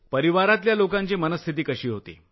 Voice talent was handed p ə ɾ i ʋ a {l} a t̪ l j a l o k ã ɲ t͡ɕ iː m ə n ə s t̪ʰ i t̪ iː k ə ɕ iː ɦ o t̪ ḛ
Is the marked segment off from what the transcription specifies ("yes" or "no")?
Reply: yes